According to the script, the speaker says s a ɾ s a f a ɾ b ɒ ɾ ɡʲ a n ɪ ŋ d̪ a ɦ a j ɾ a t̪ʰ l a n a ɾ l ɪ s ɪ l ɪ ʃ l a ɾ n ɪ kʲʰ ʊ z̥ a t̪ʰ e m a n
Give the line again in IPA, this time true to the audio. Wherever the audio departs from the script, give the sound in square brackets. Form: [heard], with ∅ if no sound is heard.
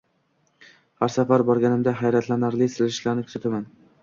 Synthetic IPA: [h] a ɾ s a f a ɾ b ɒ ɾ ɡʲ a n ɪ [m] d̪ a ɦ a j ɾ a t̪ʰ l a n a ɾ l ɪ s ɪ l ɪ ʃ l a ɾ n ɪ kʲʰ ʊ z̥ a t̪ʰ [a] m a n